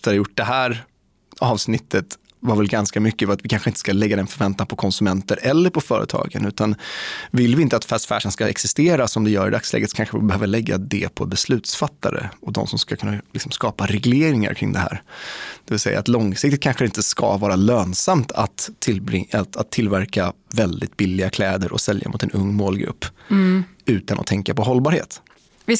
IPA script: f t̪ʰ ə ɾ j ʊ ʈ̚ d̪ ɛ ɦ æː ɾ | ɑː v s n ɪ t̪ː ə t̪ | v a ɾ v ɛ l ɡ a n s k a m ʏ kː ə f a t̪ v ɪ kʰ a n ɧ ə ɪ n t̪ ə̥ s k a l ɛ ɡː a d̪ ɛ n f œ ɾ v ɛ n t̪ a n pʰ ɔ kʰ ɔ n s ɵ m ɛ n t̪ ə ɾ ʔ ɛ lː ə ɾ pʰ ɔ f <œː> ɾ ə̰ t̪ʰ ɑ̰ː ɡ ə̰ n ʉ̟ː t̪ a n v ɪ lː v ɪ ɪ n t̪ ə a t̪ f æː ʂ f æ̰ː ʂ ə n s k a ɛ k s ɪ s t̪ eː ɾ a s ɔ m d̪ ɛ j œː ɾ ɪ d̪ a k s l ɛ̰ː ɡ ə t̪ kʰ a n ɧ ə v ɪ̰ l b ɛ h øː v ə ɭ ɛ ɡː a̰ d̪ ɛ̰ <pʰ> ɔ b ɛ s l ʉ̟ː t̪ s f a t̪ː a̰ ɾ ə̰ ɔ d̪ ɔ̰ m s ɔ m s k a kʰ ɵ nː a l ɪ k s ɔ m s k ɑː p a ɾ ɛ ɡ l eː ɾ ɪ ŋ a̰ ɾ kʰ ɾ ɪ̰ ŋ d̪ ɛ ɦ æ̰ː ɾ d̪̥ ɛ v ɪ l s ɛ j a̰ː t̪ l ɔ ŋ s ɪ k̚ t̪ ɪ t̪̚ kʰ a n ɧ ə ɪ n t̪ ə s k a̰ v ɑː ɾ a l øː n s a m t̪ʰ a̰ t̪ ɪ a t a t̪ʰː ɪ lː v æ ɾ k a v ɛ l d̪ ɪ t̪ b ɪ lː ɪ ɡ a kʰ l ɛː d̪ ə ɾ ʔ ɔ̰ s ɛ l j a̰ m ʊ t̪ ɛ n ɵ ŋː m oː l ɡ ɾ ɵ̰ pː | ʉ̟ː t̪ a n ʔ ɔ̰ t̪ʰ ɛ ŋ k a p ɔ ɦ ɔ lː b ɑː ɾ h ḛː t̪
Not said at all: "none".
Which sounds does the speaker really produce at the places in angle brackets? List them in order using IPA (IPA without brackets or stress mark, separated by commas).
œː, pʰ